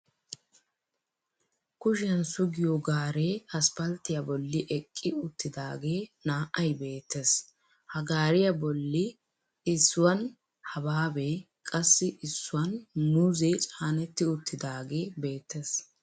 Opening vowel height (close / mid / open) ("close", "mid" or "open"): close